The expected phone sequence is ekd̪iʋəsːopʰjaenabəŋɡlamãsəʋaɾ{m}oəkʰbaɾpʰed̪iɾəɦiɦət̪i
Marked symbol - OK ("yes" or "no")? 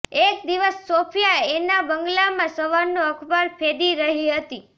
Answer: no